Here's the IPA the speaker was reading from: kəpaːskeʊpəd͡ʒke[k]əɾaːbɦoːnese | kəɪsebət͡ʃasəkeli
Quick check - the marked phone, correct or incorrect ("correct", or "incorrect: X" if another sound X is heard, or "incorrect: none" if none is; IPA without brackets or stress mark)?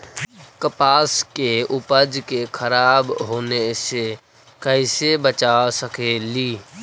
incorrect: kʰ